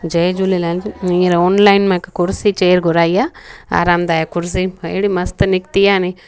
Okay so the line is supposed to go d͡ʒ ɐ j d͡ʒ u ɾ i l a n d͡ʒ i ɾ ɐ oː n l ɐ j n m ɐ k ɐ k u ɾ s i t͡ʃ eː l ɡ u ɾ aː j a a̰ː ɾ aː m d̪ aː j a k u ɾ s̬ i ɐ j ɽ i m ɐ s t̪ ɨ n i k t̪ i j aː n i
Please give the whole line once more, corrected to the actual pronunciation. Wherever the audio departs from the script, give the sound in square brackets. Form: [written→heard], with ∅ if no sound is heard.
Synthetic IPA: d͡ʒ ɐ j d͡ʒ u [ɾ→l] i l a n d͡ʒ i ɾ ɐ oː n l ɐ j n m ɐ k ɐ k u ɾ s i t͡ʃ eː [l→ɾ] ɡ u ɾ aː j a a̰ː ɾ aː m d̪ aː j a k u ɾ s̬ i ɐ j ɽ i m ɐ s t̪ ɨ n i k t̪ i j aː n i

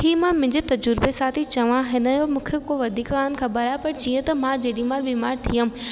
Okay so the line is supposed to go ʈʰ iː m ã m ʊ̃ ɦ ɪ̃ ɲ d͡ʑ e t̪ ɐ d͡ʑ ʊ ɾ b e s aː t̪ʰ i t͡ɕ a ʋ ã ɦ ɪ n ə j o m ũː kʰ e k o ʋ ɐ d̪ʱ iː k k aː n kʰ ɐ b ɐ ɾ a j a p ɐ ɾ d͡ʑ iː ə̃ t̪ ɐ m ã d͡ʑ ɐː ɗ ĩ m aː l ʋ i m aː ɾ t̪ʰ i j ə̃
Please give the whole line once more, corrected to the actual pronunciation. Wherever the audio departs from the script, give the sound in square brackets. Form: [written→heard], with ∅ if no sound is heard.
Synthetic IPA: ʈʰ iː m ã m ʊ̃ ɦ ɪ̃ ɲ d͡ʑ e t̪ ɐ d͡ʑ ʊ ɾ b e s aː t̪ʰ i t͡ɕ [a→ɐ] ʋ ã ɦ ɪ n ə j o m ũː kʰ e k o ʋ ɐ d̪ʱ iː k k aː n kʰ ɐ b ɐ ɾ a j a p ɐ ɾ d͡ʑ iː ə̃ t̪ ɐ m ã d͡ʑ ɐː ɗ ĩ m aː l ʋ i m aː ɾ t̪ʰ i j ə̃

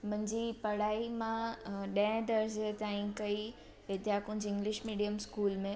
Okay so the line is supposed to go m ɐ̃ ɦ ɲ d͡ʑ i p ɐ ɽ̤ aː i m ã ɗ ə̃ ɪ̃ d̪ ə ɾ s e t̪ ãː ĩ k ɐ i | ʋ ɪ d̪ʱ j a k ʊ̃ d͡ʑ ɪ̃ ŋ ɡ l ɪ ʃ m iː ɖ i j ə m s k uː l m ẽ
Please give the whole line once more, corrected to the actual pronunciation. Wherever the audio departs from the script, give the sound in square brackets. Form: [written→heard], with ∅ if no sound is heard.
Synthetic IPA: m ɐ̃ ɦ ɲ d͡ʑ i p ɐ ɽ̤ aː i m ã ɗ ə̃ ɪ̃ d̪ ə ɾ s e t̪ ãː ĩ k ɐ i | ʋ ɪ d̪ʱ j a k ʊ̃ d͡ʑ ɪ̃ ŋ ɡ l ɪ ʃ m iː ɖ i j ə m s k uː l m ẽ

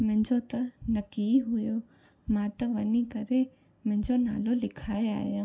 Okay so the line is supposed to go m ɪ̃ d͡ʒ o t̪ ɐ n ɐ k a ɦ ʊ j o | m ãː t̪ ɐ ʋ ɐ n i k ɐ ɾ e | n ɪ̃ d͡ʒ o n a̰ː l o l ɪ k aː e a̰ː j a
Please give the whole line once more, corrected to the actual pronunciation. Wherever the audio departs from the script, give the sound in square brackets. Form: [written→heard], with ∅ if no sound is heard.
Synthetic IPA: m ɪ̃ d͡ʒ o t̪ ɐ n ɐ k [a→i] ɦ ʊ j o | m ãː t̪ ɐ ʋ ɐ n i k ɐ ɾ e | [n→m] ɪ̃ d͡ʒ o n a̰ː l o l ɪ [k→kʰ] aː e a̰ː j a

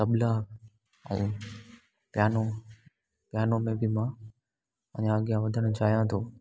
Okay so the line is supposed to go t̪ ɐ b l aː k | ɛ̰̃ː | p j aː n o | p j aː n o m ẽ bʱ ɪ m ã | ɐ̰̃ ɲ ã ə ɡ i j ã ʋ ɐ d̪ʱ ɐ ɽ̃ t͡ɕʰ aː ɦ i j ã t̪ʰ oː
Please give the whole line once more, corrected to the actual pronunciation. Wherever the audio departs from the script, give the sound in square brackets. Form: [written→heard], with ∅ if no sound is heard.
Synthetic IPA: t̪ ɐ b l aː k | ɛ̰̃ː | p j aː n o | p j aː n o m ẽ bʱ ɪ m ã | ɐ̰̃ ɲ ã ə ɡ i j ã ʋ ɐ d̪ʱ [ɐ→ə] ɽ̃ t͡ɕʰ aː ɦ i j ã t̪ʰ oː

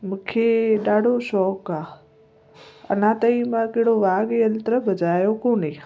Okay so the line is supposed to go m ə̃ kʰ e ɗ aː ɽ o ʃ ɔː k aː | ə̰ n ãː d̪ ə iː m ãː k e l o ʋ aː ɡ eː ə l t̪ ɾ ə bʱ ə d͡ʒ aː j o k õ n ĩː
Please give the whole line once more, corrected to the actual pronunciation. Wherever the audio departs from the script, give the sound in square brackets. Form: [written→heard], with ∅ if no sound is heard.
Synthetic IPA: m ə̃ kʰ e ɗ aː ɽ o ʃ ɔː k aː | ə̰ n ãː [d̪→t̪] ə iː m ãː k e [l→ɽ] o ʋ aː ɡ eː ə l t̪ ɾ ə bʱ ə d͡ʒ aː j o k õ n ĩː

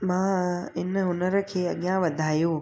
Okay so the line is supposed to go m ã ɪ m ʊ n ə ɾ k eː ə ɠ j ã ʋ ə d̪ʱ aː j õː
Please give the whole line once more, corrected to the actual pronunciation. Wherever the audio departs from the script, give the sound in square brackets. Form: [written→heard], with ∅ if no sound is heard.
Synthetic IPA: m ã ɪ [m→n] ʊ n ə ɾ [k→kʰ] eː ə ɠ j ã ʋ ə d̪ʱ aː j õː

